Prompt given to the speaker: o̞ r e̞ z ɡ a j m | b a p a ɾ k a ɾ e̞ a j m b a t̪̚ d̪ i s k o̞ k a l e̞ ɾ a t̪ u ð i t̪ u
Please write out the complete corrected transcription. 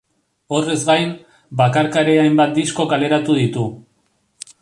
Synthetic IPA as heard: o̞ r e̞ z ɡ a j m | b a k a ɾ k a ɾ e̞ a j m b a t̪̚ d̪ i s k o̞ k a l e̞ ɾ a t̪ u ð i t̪ u